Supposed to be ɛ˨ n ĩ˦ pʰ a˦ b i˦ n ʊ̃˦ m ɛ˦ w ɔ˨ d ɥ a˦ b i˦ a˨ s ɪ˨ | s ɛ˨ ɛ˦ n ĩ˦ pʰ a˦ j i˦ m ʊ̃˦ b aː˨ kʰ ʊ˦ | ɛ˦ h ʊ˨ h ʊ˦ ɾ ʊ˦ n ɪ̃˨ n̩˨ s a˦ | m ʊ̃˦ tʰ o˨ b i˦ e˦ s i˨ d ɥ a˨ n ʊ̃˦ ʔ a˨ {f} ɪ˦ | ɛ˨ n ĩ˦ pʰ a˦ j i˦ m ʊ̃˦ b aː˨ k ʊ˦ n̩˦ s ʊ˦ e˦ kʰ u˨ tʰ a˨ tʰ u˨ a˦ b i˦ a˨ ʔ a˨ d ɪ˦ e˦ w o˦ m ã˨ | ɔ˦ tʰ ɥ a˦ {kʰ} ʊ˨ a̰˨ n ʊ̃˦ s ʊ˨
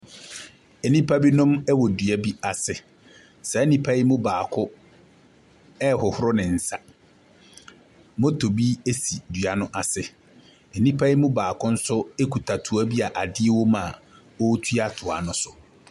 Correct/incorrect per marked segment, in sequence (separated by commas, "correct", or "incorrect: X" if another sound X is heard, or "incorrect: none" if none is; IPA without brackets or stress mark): incorrect: s, incorrect: tʰ